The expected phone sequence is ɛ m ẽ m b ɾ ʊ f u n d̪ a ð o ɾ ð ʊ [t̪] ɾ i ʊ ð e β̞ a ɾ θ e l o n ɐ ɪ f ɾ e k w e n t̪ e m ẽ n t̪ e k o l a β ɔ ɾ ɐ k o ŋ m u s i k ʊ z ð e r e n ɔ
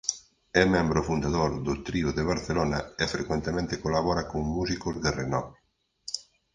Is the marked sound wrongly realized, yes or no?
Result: no